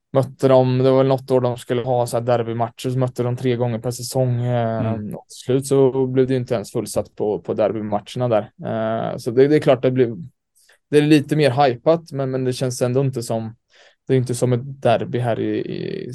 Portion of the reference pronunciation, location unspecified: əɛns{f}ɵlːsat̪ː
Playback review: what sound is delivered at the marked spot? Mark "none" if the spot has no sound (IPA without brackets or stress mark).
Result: f